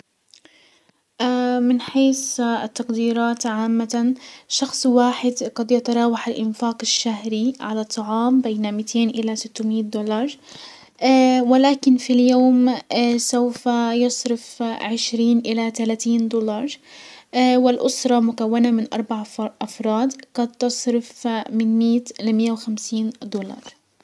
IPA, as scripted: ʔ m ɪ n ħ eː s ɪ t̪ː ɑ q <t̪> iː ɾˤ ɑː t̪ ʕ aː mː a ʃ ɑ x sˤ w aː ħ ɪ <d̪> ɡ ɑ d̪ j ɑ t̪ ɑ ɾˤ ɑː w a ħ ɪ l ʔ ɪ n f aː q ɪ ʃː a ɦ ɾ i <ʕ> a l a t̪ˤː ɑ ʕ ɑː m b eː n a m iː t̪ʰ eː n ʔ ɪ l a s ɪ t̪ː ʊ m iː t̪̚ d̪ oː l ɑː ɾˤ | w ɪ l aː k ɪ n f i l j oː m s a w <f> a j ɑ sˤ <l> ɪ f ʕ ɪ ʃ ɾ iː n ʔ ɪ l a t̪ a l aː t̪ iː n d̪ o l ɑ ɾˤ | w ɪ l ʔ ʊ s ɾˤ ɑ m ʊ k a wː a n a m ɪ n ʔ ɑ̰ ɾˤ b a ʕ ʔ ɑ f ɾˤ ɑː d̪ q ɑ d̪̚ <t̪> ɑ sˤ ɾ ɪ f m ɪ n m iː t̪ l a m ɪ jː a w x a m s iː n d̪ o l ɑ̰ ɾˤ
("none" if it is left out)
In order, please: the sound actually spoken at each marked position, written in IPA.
d̪, d̪, ʕ, f, ɾ, t̪

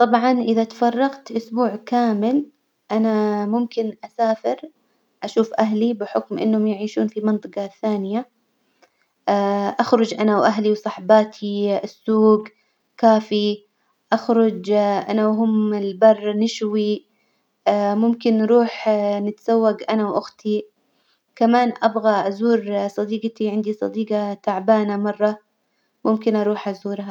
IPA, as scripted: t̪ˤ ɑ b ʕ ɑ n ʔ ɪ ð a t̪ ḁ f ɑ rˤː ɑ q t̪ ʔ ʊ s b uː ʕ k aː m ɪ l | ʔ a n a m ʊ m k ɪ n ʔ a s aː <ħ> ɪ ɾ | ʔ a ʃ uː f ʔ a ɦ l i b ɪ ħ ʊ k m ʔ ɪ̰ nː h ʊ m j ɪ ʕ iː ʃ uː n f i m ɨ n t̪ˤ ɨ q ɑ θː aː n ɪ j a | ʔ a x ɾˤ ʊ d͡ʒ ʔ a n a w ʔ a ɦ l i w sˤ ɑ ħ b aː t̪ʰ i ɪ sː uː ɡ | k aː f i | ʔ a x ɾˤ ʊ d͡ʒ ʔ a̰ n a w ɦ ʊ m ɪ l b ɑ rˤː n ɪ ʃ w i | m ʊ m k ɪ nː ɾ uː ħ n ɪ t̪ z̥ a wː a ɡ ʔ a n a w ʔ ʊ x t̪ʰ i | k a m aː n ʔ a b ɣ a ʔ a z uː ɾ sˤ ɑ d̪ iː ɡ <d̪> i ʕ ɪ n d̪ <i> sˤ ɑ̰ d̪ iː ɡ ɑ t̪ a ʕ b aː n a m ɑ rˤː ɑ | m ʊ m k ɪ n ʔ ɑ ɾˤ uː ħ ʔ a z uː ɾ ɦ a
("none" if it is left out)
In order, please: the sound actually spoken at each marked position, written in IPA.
f, t̪, i

